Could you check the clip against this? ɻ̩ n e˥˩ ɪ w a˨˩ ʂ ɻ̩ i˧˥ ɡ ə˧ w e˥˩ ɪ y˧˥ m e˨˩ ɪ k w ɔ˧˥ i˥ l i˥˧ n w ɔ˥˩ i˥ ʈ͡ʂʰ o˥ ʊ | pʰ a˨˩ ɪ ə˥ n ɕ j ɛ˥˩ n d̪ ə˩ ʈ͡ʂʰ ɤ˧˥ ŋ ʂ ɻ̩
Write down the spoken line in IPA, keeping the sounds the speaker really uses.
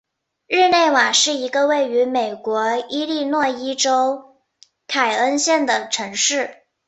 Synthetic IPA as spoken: ɻ̩ n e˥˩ ɪ w a˨˩ ʂ ɻ̩ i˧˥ ɡ ə˧ w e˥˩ ɪ y˧˥ m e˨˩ ɪ k w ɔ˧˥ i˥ l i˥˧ n w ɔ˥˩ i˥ ʈ͡ʂ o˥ ʊ | kʰ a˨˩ ɪ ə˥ n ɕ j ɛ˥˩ n d̪ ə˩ ʈ͡ʂʰ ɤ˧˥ ŋ ʂ ɻ̩